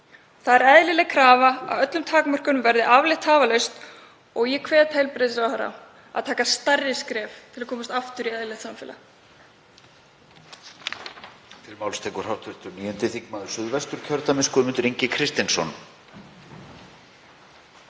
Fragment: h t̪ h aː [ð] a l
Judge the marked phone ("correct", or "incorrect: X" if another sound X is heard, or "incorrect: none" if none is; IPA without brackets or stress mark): incorrect: v